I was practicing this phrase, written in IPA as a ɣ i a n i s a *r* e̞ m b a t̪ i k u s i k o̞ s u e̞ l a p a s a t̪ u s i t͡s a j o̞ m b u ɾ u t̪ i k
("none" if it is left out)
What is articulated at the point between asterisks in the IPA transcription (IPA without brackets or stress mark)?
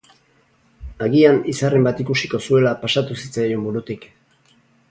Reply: r